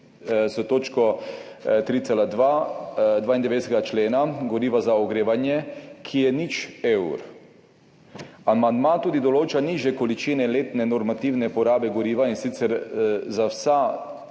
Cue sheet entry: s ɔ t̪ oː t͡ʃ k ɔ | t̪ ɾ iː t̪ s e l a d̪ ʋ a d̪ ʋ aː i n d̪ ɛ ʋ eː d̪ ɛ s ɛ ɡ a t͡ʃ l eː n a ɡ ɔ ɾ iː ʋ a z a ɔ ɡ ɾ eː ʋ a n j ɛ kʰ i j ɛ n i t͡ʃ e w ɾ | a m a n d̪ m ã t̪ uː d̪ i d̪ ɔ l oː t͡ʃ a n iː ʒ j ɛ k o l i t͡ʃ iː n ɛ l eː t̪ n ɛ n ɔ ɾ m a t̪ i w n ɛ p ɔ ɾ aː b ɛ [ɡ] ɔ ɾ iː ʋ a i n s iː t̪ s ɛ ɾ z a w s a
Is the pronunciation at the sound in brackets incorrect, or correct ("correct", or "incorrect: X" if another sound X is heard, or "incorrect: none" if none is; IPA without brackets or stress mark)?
correct